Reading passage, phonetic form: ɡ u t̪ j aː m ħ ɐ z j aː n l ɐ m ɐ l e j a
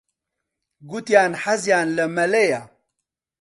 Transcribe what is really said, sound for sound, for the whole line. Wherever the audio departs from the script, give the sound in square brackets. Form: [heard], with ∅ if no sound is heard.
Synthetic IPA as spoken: ɡ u t̪ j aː [n] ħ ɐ z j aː n l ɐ m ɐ l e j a